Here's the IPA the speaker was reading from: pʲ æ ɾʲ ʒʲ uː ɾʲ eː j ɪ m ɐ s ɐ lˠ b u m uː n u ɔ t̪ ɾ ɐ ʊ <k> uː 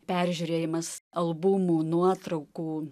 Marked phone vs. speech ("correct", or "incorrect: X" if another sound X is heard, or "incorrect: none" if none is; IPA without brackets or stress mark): correct